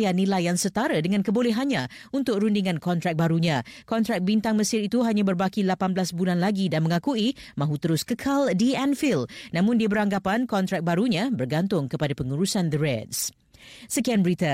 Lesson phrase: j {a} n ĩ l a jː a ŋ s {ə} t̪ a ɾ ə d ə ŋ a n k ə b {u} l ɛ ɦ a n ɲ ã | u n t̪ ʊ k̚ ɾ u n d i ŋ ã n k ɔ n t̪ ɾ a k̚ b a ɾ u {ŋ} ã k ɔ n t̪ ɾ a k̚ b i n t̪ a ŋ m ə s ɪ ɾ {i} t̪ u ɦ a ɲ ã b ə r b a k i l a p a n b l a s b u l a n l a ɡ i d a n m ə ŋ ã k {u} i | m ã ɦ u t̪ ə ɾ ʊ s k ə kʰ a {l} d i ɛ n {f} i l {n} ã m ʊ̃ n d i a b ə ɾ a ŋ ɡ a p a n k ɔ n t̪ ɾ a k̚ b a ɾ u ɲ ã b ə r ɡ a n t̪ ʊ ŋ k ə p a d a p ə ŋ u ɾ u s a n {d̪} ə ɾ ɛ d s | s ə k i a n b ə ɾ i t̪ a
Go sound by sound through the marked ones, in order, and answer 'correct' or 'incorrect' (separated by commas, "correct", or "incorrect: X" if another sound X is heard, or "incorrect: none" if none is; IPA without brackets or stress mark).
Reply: correct, correct, incorrect: o, incorrect: ɲ, correct, correct, correct, correct, correct, correct